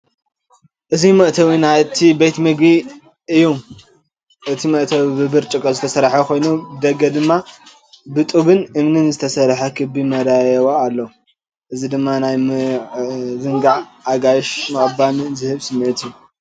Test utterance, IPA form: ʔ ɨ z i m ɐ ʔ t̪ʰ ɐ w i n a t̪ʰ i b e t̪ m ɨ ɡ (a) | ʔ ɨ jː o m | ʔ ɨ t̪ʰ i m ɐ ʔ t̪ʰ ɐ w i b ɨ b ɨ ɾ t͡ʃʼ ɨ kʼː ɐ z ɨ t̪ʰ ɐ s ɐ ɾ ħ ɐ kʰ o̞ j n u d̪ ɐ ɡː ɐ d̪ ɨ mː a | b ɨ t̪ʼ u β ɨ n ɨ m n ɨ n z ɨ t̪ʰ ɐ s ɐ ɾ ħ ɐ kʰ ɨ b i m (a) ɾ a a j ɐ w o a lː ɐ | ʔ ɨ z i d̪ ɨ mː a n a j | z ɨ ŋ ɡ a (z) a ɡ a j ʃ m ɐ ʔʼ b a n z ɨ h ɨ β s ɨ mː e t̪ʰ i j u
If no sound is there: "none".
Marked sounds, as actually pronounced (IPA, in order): i, ɐ, ʕ

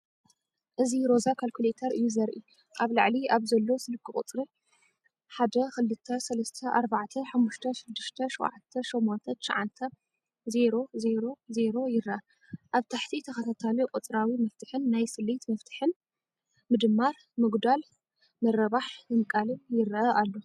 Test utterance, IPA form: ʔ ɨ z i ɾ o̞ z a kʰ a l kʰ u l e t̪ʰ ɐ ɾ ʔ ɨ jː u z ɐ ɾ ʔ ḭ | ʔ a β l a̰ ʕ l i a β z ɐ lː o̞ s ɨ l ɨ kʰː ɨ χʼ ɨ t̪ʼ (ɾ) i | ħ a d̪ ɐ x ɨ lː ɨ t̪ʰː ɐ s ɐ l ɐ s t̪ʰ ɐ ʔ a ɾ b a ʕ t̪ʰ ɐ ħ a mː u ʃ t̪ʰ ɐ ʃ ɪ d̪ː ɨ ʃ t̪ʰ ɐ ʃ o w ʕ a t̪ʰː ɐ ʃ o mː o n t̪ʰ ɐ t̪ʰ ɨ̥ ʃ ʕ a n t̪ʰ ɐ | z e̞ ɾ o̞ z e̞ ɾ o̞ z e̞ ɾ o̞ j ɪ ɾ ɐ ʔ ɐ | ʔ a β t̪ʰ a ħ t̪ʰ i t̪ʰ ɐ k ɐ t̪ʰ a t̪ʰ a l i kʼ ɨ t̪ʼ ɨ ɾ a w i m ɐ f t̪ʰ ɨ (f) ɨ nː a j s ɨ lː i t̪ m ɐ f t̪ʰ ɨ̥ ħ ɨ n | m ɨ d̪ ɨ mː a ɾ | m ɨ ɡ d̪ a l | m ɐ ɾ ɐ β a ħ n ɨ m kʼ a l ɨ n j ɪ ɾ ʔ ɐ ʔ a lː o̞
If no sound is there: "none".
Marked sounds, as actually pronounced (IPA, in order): ɾ, ħ

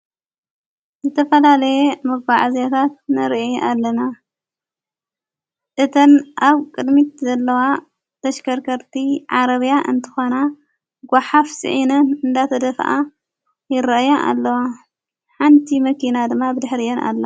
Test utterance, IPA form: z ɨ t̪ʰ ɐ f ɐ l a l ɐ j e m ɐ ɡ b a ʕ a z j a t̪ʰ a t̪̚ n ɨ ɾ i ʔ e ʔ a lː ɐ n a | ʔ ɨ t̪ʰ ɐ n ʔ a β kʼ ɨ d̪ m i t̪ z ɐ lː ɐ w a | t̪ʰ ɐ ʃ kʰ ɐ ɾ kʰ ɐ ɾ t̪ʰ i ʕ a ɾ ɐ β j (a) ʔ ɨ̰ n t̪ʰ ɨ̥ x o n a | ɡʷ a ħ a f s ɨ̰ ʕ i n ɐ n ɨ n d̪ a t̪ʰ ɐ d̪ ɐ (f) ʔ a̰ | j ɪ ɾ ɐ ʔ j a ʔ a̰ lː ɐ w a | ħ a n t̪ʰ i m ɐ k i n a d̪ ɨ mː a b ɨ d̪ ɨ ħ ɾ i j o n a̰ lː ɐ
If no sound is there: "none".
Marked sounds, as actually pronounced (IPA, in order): a, f

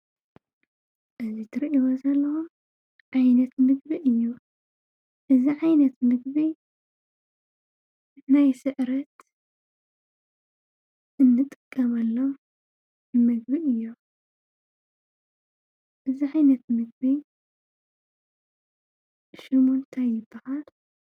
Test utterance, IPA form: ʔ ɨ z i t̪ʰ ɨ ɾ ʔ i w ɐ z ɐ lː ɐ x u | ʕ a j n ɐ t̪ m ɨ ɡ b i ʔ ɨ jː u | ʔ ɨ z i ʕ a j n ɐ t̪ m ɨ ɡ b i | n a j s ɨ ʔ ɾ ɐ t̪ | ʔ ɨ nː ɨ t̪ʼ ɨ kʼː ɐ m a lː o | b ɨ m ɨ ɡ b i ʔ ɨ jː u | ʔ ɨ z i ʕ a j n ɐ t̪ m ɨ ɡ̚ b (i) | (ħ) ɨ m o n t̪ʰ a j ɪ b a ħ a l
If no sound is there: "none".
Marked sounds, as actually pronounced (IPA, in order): i, ʃ

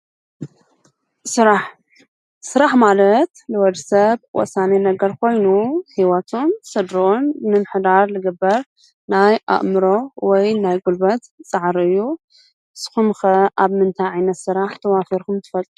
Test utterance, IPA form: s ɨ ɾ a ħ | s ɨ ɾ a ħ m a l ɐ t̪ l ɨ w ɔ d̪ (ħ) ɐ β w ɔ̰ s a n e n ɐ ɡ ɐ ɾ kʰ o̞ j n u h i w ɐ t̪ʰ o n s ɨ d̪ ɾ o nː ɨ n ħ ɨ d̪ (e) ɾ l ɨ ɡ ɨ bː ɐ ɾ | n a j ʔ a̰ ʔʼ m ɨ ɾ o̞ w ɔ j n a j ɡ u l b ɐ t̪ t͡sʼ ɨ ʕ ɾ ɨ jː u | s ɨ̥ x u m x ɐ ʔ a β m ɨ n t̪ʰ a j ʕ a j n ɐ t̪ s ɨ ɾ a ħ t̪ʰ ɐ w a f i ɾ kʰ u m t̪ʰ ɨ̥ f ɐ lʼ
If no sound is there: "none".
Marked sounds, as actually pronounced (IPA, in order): s, a

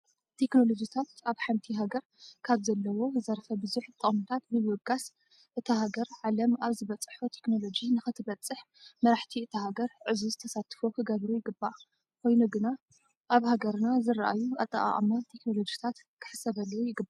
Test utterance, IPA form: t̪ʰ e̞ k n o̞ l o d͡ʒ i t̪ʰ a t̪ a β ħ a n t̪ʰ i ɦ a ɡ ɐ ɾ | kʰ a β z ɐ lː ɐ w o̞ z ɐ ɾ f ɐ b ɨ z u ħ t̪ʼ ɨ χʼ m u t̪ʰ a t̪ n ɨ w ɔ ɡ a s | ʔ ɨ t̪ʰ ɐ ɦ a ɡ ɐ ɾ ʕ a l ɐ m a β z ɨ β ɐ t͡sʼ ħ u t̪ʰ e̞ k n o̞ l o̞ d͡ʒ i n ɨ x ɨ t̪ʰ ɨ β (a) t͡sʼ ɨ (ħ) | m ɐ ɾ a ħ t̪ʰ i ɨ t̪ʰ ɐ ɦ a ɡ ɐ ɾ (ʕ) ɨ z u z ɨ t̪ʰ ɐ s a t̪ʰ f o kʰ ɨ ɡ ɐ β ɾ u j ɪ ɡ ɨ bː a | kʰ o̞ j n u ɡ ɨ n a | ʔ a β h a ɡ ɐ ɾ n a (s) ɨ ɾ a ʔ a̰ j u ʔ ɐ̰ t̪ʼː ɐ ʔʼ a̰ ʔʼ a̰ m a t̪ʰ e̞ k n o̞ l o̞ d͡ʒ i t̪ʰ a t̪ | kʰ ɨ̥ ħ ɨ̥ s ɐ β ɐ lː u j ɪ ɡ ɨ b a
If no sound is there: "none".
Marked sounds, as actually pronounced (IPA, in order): ɐ, ħ, ʕ, z

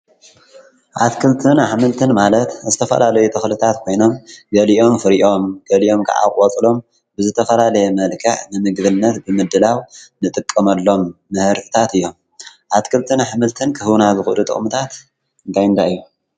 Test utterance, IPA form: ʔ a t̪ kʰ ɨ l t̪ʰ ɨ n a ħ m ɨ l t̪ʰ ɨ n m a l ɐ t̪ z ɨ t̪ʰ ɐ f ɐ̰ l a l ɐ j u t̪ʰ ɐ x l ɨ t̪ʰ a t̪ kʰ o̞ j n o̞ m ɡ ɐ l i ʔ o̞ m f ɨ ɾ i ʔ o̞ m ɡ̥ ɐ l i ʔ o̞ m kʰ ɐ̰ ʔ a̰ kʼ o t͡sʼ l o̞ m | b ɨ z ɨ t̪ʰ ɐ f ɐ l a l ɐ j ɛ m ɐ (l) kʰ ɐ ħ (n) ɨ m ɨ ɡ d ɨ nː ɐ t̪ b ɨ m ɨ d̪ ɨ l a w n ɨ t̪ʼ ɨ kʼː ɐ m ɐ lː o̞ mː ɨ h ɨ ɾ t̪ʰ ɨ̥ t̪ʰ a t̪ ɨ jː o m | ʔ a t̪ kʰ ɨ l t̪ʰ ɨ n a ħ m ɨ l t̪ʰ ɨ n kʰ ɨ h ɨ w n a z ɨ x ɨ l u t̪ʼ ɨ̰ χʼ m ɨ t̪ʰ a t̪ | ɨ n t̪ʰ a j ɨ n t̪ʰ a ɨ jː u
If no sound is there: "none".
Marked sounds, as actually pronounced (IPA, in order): l, n

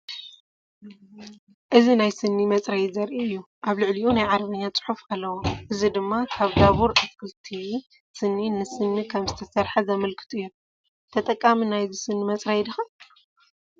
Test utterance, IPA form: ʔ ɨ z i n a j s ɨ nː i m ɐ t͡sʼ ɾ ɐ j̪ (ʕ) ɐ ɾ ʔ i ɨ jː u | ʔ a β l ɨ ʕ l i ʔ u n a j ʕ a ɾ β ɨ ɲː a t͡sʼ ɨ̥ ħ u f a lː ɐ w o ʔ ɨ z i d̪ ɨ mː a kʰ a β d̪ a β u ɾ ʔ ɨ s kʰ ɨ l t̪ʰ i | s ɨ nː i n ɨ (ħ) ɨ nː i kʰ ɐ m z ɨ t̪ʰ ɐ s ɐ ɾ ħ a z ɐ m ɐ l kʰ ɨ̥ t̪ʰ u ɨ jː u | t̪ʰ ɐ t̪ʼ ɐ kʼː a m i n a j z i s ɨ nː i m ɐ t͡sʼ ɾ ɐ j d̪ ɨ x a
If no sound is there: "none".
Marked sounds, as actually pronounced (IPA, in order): z, s

